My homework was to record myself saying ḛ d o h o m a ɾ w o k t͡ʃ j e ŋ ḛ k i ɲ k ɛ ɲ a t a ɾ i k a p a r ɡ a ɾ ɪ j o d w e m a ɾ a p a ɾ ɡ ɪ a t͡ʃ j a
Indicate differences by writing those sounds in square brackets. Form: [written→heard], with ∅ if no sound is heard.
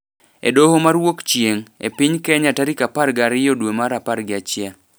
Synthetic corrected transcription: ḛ d o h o m a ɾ w o k t͡ʃ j e ŋ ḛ [k→p] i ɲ k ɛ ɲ a t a ɾ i k a p a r ɡ a ɾ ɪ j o d w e m a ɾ a p a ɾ ɡ ɪ a t͡ʃ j a